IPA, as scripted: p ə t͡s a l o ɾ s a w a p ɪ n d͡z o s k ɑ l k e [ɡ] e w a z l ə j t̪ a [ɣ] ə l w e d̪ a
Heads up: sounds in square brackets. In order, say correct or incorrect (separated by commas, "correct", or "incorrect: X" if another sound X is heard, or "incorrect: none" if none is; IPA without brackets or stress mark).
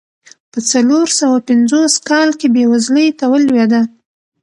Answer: incorrect: b, incorrect: w